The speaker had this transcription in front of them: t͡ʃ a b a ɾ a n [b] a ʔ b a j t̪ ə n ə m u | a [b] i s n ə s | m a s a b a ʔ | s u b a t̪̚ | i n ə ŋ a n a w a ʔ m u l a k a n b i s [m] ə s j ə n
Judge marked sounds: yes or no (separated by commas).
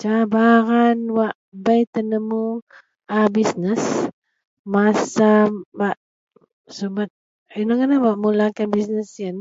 no, yes, no